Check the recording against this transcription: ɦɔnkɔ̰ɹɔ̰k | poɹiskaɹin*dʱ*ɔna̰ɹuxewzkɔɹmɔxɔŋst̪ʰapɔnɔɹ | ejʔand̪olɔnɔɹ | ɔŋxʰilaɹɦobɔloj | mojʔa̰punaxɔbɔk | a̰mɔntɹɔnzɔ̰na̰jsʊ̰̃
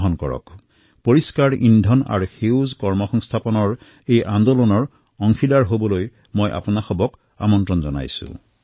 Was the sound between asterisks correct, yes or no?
yes